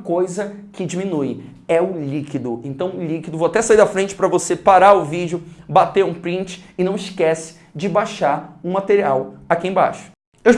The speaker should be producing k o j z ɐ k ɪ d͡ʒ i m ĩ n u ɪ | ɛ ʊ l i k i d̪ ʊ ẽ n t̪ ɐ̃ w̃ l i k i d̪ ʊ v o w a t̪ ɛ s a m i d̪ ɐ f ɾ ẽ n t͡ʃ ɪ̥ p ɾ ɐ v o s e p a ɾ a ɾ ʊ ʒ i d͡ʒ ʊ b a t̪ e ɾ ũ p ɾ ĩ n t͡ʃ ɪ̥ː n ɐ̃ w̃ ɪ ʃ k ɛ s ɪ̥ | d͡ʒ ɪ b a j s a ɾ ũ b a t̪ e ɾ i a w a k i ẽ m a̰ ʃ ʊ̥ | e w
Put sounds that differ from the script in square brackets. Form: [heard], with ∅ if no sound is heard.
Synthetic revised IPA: k o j z ɐ k ɪ d͡ʒ i m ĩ n u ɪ | ɛ ʊ l i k i d̪ ʊ ẽ n t̪ ɐ̃ w̃ l i k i d̪ ʊ v o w a t̪ ɛ s a [∅] i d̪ ɐ f ɾ ẽ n t͡ʃ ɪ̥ p ɾ ɐ v o s e p a ɾ a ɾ ʊ [v] i d͡ʒ ʊ b a t̪ e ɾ ũ p ɾ ĩ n t͡ʃ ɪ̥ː n ɐ̃ w̃ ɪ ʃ k ɛ s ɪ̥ | d͡ʒ ɪ b a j [ʃ] a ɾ ũ [m] a t̪ e ɾ i a w a k i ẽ [b] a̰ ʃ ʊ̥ | e w